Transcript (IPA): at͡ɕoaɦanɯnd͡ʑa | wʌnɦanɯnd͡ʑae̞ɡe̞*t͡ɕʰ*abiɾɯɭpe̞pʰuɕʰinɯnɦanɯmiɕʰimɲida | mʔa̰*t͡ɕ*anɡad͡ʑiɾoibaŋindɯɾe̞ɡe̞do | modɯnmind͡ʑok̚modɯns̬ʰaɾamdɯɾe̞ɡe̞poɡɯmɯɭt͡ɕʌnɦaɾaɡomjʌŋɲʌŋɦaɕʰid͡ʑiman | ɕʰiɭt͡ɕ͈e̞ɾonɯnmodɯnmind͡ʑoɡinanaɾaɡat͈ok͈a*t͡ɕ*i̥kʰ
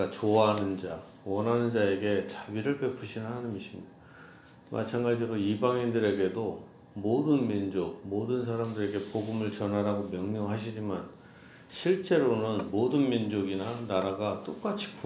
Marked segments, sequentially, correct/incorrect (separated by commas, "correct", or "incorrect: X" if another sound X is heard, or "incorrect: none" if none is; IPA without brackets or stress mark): incorrect: t͡ɕ, incorrect: t͡ɕʰ, incorrect: t͡ɕʰ